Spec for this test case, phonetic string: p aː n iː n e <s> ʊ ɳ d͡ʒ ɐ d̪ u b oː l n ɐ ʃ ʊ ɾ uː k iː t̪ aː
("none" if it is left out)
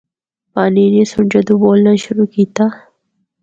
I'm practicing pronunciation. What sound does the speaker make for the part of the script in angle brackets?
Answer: s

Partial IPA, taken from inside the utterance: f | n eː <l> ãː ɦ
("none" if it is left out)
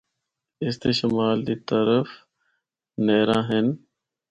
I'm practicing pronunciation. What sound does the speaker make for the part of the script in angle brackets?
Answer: ɾ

